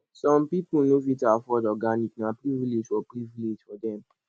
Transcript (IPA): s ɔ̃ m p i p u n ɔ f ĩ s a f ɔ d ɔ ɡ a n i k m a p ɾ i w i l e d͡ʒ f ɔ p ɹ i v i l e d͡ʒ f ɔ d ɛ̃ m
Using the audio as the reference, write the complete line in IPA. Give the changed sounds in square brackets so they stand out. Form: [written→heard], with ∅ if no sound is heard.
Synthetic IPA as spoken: s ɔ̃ m p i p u n [ɔ→o] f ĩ [s→t] a f ɔ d ɔ ɡ a n i k [m→n] a p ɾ i [w→v] i l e d͡ʒ f ɔ p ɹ i v i l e d͡ʒ f ɔ d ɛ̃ m